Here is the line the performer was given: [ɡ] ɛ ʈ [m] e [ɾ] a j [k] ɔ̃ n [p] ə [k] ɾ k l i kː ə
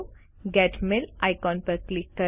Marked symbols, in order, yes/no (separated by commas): yes, yes, no, yes, yes, no